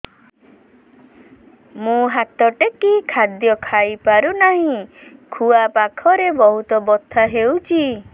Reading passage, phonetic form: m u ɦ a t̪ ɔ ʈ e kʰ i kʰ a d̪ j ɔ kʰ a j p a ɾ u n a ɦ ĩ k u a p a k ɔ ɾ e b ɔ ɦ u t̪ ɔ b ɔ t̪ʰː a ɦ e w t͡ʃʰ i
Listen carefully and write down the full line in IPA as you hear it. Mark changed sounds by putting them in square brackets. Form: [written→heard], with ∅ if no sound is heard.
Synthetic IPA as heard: m [u→ũ] ɦ a t̪ ɔ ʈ e [kʰ→k] i kʰ a d̪ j ɔ kʰ a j p a ɾ u n a ɦ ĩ [k→kʰ] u a p a [k→kʰ] ɔ ɾ e b ɔ ɦ u t̪ ɔ b ɔ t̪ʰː a ɦ e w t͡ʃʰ i